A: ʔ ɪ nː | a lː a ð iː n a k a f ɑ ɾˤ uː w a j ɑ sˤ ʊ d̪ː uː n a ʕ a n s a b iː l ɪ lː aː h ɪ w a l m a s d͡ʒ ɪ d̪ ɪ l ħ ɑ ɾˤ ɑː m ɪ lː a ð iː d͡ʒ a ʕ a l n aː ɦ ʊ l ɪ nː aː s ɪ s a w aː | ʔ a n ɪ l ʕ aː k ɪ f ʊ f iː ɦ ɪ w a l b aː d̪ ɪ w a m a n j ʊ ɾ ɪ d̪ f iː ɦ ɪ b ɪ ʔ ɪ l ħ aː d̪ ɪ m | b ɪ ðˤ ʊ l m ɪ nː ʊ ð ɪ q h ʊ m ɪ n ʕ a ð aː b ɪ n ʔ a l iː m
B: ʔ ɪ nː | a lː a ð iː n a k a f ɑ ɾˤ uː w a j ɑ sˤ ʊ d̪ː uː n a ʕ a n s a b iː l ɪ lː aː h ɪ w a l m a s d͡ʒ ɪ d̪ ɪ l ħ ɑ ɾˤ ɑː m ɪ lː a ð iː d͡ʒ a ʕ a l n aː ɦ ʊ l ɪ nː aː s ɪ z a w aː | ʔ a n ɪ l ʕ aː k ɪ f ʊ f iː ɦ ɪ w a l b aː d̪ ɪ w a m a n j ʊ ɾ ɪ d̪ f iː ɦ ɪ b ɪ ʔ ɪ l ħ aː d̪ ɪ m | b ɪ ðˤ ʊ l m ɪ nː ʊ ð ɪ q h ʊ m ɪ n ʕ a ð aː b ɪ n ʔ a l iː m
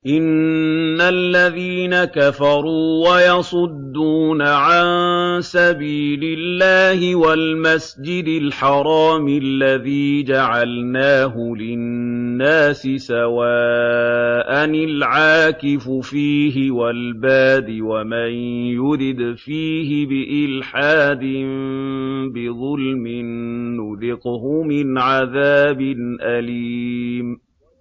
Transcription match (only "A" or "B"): A